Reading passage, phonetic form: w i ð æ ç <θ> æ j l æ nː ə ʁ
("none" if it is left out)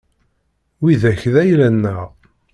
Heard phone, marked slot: ð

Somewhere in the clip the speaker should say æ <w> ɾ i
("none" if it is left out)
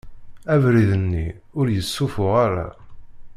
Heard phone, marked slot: v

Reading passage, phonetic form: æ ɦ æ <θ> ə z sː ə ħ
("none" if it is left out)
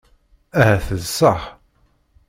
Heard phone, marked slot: θ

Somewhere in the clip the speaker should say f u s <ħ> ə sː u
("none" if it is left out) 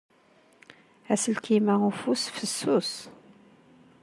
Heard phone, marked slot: f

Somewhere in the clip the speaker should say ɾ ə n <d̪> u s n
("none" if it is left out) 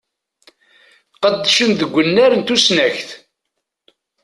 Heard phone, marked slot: t̪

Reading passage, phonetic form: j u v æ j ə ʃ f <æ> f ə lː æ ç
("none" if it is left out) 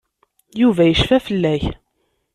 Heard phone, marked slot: æ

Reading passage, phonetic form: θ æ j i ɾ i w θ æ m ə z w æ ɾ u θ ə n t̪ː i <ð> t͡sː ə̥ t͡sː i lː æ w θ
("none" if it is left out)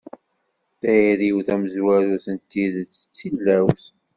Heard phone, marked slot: ð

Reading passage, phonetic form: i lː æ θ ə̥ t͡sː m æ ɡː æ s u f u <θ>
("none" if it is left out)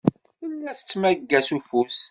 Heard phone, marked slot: s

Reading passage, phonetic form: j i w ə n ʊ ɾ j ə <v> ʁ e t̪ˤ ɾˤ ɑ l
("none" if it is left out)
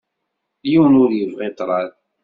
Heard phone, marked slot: v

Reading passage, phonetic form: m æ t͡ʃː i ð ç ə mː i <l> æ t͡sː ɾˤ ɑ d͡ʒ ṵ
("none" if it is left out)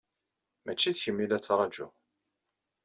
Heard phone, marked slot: l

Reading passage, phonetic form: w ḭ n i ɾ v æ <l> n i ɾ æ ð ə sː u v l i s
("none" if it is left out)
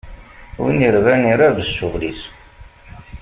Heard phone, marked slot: none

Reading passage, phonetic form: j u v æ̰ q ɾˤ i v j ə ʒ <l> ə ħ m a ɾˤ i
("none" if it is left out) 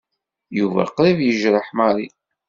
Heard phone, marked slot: ɾ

